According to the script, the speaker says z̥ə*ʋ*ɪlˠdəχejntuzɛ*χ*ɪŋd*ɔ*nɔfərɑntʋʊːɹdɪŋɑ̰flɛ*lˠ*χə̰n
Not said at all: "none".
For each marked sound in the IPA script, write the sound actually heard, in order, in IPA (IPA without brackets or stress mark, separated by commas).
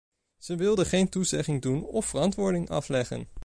ʋ, χ, u, none